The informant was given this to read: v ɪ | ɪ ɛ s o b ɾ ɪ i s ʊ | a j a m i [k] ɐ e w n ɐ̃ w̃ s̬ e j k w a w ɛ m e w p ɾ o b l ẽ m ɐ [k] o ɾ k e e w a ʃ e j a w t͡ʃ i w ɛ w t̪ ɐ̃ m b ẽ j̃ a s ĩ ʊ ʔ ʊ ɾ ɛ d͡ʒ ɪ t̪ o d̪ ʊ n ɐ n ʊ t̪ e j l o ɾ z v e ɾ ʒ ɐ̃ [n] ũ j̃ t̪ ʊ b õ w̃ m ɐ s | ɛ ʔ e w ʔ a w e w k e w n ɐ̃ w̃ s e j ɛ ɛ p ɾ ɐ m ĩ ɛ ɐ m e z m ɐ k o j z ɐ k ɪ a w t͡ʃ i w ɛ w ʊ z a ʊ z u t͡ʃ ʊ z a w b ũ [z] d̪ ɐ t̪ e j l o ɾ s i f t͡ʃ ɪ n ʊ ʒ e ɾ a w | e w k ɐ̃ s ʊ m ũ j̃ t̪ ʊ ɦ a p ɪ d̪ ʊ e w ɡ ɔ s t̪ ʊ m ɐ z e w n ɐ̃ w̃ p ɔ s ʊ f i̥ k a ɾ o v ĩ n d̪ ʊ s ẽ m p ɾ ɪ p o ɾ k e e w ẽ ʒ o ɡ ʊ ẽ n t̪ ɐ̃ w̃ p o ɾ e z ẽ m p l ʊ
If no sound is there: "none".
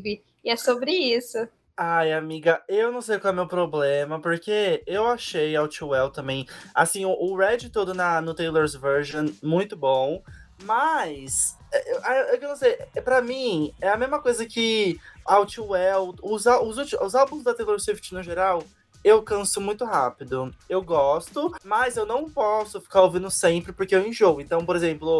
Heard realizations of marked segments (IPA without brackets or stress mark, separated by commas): ɡ, p, m, z